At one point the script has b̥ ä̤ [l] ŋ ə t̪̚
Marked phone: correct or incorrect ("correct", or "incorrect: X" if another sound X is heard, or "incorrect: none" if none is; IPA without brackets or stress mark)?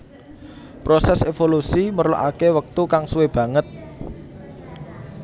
incorrect: none